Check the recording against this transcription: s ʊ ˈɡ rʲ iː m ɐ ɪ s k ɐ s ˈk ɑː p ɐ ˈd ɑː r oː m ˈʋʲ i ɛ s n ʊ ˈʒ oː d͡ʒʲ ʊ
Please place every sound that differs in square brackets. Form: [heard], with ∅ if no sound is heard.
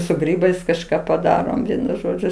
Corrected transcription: s ʊ ˈɡ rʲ iː [b] ɐ ɪ s k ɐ [ʃ] ˈk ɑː p ɐ ˈd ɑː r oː m ˈʋʲ i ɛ [∅] n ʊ ˈʒ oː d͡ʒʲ ʊ